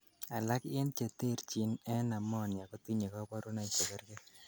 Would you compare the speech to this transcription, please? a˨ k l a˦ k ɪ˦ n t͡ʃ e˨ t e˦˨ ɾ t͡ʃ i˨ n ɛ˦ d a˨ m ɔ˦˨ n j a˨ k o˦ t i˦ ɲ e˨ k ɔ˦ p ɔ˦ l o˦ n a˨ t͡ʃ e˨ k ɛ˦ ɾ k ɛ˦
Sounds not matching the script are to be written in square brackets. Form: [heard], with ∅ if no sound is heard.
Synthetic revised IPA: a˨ [∅] l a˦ k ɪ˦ n t͡ʃ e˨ t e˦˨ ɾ t͡ʃ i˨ n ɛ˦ [n] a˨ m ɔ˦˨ n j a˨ k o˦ t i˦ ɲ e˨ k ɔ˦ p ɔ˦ [ɾ] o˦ n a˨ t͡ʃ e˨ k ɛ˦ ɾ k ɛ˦